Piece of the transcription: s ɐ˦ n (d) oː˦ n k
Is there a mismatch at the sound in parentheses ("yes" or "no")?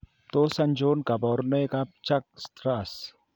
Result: yes